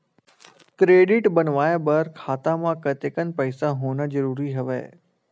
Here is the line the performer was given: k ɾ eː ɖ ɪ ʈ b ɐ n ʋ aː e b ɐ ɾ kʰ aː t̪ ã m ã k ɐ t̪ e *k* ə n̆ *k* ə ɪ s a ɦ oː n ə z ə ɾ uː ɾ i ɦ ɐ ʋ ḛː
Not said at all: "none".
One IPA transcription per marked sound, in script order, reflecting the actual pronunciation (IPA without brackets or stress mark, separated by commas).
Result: k, p